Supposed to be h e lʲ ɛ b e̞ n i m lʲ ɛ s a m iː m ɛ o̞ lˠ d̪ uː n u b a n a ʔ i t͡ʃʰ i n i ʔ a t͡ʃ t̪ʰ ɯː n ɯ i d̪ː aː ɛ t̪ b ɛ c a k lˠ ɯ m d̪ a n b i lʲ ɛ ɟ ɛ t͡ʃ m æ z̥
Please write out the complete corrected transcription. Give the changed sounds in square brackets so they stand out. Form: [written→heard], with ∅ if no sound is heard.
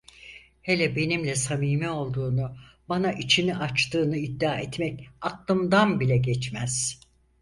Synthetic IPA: h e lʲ ɛ b e̞ n i m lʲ ɛ s a m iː m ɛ o̞ lˠ d̪ uː n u b a n a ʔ i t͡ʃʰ i n i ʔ a t͡ʃ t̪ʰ ɯː n ɯ i d̪ː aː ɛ t̪ [b→m] ɛ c a k lˠ ɯ m d̪ a n b i lʲ ɛ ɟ ɛ t͡ʃ m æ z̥